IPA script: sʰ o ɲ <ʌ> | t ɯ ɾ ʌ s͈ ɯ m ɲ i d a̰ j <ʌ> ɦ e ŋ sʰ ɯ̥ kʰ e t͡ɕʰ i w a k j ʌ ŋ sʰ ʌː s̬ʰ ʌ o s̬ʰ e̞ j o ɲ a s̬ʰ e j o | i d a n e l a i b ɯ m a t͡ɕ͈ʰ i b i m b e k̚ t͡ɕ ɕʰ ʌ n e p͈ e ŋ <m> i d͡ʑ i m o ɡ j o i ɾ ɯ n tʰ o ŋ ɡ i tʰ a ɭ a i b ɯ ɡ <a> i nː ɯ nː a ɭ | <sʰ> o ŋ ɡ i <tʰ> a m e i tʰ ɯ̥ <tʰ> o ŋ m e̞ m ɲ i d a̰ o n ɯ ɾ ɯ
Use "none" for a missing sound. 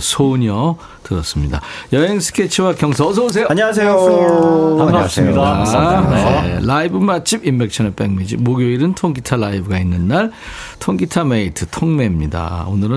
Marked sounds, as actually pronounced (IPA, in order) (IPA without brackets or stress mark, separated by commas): ʌ, ʌ, m, a, tʰ, tʰ, tʰ